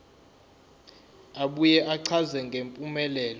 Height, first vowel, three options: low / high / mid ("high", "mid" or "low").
low